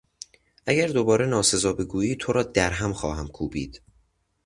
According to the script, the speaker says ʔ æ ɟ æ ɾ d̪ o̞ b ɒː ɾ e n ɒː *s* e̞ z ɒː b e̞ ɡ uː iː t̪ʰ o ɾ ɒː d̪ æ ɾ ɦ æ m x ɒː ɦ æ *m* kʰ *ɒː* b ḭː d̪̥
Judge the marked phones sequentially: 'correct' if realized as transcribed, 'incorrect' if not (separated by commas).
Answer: correct, correct, incorrect